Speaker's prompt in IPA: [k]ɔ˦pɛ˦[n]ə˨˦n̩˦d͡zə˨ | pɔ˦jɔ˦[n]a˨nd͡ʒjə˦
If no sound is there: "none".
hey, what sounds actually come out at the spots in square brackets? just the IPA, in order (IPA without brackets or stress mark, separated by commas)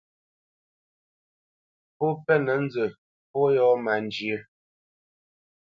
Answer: p, n, m